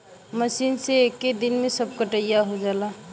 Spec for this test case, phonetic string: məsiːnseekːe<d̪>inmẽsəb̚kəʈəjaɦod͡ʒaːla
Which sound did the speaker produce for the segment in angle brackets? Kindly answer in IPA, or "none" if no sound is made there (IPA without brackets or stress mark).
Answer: d̪